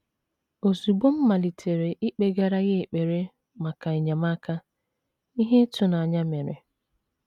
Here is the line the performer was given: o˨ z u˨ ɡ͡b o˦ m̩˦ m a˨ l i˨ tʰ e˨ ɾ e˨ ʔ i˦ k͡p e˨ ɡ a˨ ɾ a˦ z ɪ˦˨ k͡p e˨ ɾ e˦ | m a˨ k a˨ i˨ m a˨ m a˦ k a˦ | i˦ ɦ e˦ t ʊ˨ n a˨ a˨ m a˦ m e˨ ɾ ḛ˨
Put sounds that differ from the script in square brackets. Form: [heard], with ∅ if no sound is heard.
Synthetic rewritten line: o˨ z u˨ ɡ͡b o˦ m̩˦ m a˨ l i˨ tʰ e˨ ɾ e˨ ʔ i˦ k͡p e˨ ɡ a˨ ɾ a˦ [ɣ] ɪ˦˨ k͡p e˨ ɾ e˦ | m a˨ k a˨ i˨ [ɲ] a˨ m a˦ k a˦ | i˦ ɦ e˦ t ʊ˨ n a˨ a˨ [ɲ] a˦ m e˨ ɾ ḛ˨